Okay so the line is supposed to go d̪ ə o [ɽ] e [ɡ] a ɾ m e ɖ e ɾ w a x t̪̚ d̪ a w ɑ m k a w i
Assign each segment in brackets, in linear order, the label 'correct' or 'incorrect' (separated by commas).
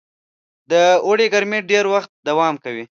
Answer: correct, correct